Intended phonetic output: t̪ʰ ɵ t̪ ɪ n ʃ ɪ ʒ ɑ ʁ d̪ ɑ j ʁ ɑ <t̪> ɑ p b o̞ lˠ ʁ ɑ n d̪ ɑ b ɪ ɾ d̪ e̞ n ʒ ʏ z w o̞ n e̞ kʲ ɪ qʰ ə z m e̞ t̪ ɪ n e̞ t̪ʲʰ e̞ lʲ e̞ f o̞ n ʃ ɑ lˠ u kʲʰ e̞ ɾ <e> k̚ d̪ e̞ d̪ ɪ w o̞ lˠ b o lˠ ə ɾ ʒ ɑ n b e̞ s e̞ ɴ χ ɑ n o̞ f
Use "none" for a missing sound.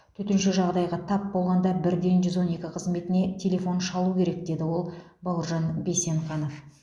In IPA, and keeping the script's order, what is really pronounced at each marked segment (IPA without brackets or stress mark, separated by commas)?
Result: t̪ʰ, e